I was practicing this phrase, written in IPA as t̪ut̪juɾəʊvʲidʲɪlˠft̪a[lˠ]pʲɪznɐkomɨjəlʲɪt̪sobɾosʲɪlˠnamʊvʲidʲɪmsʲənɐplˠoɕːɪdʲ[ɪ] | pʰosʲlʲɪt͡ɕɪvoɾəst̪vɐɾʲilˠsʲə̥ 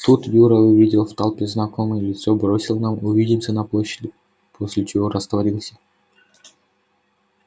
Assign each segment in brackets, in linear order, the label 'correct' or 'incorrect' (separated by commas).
correct, correct